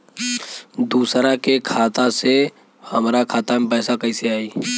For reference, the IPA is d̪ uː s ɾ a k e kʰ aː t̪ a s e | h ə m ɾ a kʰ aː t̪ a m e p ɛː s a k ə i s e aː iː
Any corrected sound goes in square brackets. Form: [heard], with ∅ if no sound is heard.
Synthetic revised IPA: d̪ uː s ɾ a k e kʰ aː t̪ a s e | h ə m ɾ a kʰ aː t̪ a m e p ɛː s a k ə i s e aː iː